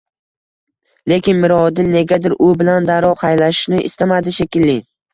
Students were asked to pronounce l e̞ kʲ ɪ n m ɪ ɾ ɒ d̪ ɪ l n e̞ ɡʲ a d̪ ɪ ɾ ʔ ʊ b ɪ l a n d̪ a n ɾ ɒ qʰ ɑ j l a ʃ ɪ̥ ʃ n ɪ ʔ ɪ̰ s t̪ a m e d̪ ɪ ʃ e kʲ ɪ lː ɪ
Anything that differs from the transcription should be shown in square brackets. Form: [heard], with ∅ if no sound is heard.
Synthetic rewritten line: l e̞ kʲ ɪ n m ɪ ɾ ɒ d̪ ɪ l n e̞ ɡʲ a d̪ ɪ ɾ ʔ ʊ b ɪ l a n d̪ a [∅] ɾ ɒ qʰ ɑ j l a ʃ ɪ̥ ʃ n ɪ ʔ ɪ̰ s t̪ a m [a] d̪ ɪ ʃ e kʲ ɪ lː ɪ